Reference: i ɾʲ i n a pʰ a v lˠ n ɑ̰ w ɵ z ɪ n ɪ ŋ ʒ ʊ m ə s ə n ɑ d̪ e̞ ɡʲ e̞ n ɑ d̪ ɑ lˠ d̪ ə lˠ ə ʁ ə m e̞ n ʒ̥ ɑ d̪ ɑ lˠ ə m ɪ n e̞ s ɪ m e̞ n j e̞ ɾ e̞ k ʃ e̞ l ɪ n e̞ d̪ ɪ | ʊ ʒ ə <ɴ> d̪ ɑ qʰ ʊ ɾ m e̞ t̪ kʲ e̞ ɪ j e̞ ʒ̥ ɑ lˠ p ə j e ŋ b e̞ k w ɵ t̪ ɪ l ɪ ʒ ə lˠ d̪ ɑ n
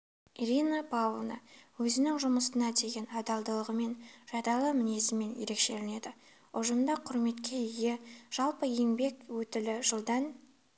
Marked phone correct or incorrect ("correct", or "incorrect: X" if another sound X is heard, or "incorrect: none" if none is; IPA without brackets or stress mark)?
incorrect: m